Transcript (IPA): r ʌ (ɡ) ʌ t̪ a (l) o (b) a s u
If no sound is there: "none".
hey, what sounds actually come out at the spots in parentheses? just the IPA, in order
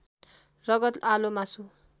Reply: ɡ, l, m

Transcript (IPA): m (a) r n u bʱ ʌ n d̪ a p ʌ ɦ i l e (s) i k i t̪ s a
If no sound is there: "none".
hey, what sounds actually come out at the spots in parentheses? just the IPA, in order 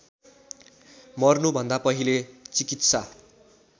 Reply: ʌ, t͡s

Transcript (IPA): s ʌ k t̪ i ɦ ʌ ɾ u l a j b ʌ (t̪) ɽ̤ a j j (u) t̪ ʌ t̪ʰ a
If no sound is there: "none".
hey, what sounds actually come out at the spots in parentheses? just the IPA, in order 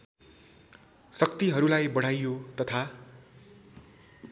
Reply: none, o

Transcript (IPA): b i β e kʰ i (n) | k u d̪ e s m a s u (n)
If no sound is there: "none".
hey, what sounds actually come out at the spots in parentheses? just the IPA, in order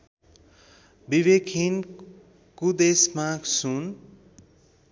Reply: n, n

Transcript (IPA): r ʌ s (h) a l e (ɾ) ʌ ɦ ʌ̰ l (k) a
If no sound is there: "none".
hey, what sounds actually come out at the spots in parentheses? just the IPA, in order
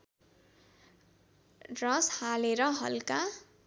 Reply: h, ɾ, k

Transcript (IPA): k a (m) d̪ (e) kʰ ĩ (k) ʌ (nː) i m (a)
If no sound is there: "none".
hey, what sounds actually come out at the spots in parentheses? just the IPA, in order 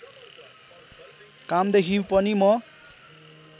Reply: m, e, p, n, ʌ

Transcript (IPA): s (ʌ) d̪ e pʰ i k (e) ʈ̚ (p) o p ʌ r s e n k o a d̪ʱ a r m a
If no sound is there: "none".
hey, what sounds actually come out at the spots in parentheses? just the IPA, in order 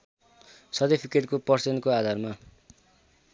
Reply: ʌ, e, k

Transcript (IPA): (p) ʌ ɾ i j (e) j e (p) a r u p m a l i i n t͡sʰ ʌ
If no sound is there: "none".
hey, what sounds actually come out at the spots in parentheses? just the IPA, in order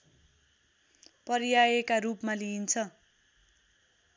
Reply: p, a, k

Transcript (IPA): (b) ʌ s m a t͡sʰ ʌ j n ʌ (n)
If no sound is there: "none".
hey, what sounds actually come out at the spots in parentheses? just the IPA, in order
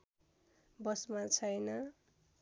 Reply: b, none

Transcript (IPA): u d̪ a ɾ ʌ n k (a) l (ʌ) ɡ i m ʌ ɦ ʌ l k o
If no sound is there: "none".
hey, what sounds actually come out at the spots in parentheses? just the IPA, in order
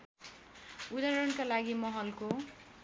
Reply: a, a

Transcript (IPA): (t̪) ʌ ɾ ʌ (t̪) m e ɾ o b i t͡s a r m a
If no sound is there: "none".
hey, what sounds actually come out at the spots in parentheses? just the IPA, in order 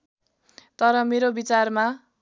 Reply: t̪, none

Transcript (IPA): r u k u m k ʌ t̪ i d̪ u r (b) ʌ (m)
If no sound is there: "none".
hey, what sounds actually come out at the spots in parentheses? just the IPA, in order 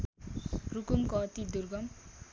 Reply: ɡ, m

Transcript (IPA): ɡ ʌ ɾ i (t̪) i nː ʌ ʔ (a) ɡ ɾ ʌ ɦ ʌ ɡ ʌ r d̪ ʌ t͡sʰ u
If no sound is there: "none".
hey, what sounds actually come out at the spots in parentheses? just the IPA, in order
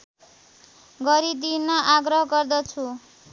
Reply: d̪, a

